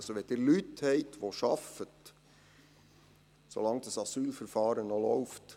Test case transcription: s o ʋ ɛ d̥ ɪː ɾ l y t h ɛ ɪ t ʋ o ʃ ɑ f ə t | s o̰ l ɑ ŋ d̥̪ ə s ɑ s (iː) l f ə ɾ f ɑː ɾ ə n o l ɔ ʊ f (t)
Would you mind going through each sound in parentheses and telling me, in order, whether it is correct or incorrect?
incorrect: yː, correct

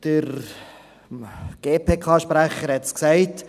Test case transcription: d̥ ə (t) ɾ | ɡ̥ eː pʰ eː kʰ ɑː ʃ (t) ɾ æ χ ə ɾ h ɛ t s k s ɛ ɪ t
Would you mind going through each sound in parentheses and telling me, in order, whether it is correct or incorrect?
incorrect: none, incorrect: p

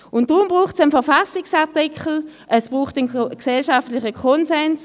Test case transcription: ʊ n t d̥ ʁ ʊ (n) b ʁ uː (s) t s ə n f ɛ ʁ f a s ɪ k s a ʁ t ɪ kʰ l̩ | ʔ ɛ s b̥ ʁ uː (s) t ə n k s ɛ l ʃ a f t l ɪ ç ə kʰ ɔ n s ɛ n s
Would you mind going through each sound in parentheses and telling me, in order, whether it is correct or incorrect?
incorrect: m, incorrect: χ, incorrect: χ

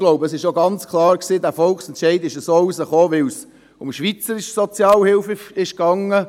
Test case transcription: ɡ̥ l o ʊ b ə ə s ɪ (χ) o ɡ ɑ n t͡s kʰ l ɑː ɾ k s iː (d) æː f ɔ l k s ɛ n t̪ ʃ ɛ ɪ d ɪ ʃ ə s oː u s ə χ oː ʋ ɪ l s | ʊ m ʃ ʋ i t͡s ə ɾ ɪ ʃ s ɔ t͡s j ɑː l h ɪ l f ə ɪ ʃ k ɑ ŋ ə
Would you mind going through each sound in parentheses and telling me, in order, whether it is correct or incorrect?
incorrect: ʃ, correct

